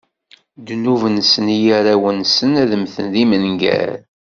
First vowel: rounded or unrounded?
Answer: rounded